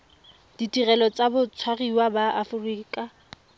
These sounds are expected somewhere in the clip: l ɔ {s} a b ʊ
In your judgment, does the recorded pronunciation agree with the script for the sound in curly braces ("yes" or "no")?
no